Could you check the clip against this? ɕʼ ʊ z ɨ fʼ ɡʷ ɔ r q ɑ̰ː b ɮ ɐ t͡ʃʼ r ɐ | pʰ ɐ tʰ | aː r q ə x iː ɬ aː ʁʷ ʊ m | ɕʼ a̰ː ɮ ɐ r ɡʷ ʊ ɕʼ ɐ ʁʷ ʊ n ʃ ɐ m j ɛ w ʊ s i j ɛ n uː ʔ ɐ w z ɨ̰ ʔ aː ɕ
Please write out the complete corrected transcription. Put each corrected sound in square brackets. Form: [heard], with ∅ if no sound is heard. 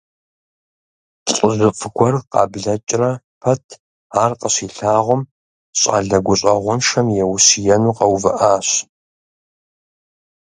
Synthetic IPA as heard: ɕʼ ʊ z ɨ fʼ ɡʷ ɔ r q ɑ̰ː b ɮ ɐ t͡ʃʼ r ɐ | pʰ ɐ tʰ | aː r q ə [ɕ] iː ɬ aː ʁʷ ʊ m | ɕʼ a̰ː ɮ ɐ [∅] ɡʷ ʊ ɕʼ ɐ ʁʷ ʊ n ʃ ɐ m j ɛ w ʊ s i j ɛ n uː [q] ɐ w [v] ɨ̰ ʔ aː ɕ